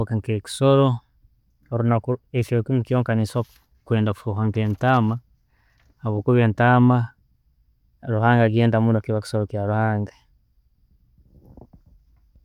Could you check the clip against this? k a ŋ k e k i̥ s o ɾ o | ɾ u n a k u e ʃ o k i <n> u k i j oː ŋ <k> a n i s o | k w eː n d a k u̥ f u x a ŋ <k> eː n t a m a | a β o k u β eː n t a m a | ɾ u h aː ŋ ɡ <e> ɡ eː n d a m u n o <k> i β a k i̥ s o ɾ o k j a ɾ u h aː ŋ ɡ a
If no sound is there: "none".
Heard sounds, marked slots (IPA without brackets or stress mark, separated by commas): m, k, k, a, k